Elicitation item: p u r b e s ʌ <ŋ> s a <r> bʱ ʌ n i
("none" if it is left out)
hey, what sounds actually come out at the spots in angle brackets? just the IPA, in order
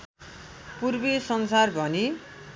n, r

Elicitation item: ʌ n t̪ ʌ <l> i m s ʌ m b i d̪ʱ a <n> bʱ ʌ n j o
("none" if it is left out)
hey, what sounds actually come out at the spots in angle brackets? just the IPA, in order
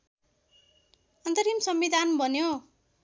ɾ, n

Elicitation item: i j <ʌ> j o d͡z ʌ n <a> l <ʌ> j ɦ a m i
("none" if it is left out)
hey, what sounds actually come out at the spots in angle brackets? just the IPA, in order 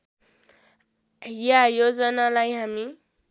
a, a, a

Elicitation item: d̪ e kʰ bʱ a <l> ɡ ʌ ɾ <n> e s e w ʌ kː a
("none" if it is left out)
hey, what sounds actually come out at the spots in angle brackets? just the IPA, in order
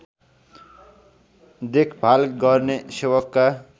l, n

